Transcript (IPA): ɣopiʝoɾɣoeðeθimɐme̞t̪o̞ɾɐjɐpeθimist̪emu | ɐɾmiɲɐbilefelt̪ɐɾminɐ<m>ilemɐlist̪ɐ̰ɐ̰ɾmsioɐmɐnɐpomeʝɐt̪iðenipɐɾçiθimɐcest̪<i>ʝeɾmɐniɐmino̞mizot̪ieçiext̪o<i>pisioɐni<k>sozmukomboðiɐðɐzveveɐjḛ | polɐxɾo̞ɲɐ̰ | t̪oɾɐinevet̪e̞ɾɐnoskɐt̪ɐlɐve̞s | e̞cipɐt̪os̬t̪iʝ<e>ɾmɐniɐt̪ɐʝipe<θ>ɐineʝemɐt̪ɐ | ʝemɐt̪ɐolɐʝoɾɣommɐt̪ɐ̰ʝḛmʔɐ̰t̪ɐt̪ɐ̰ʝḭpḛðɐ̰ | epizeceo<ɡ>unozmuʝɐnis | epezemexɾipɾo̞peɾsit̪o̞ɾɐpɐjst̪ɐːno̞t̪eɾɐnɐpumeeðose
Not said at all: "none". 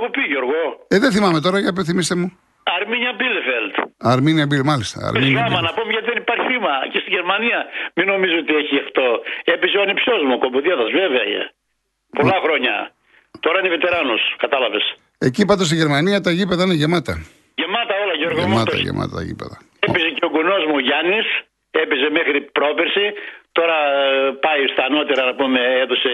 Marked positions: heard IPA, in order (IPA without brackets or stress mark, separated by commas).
b, i, e, p, e, ð, ɡ